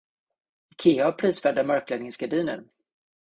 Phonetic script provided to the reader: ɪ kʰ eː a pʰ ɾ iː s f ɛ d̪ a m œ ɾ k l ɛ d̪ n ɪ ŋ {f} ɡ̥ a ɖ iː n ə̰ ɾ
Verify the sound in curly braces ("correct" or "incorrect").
incorrect